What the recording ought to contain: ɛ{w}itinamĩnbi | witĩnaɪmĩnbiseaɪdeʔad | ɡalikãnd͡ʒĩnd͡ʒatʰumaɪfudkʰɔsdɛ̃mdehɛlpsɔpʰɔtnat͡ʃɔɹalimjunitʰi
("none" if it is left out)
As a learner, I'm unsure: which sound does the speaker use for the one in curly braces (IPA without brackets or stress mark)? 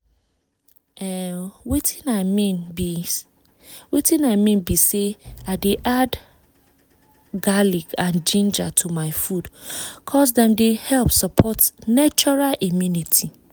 w